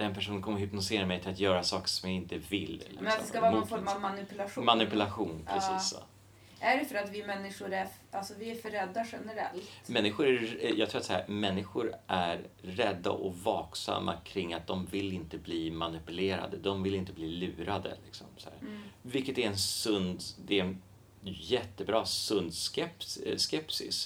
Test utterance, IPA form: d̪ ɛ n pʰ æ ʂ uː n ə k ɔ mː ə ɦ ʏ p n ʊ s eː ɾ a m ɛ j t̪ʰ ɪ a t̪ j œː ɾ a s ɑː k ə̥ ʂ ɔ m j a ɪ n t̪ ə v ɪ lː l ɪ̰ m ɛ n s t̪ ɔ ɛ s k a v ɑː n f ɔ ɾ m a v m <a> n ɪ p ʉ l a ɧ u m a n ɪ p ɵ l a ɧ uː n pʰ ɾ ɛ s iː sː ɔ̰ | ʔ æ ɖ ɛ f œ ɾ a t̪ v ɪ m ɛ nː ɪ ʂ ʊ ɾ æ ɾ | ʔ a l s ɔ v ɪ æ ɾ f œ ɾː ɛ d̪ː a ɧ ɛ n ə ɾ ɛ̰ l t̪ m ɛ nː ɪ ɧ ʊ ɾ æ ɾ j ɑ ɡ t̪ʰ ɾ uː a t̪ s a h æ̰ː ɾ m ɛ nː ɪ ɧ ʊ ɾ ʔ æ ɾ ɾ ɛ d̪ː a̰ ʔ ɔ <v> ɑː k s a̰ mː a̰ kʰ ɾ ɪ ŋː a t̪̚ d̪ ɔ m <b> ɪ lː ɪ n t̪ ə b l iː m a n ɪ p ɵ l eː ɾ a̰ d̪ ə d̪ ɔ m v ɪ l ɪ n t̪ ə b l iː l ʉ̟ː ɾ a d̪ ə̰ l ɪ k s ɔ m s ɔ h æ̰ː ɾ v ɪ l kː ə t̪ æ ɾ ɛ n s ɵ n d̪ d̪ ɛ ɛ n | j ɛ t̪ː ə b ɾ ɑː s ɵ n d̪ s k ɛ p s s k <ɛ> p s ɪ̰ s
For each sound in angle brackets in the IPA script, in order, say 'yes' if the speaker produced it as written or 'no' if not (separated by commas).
yes, yes, no, yes